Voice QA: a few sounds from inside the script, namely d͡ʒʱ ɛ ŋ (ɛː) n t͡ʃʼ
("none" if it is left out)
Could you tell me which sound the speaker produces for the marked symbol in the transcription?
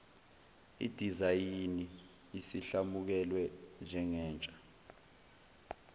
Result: ɛː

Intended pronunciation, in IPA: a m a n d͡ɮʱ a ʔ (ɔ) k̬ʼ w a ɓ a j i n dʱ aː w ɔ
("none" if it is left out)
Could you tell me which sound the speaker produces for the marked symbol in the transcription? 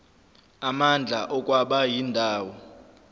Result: ɔ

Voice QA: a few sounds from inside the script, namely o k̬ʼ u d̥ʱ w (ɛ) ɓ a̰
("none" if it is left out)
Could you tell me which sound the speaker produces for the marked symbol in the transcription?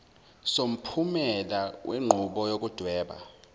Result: ɛː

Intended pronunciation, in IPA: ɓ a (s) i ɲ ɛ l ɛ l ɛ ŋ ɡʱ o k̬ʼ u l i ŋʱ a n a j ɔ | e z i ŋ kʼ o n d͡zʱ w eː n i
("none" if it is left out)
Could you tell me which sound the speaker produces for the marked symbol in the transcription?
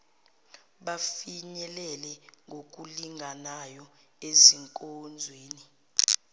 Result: f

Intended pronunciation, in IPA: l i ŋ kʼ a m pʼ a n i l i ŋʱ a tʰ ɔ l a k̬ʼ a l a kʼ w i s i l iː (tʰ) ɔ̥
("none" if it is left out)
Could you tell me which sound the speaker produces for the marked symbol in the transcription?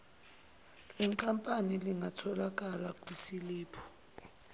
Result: pʰ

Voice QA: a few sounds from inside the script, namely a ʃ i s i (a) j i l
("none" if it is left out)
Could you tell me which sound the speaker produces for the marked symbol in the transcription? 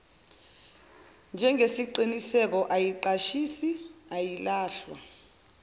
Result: a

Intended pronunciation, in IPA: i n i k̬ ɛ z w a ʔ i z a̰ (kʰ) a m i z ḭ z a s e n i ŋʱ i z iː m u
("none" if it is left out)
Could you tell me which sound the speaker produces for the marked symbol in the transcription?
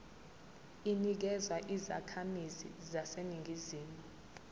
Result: kʰ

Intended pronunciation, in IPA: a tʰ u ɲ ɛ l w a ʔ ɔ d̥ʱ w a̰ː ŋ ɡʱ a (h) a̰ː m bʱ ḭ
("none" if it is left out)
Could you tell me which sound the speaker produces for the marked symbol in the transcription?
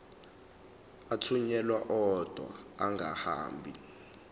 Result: h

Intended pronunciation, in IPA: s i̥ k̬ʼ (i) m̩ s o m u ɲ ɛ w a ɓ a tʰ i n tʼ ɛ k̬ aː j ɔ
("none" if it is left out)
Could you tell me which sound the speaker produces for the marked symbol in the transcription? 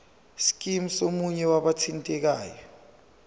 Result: i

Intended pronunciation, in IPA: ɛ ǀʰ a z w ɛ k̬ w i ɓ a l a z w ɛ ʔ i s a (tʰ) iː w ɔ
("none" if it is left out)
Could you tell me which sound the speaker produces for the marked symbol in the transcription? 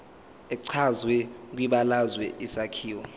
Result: kʰ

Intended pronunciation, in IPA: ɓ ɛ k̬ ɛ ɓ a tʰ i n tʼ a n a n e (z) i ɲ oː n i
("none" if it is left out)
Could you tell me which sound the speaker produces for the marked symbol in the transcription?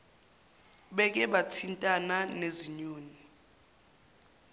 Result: z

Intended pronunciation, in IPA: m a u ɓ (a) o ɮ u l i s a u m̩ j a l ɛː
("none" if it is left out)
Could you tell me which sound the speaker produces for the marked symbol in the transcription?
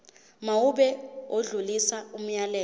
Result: ɛ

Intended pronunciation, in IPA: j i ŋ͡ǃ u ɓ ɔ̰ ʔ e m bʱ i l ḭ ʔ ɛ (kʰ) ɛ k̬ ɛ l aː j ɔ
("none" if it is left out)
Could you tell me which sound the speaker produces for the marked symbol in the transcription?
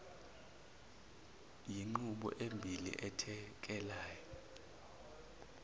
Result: tʰ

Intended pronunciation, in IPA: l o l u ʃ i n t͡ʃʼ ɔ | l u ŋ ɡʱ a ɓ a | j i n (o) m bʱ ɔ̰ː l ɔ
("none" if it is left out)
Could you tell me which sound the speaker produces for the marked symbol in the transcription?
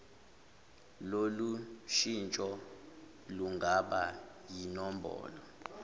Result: ɔ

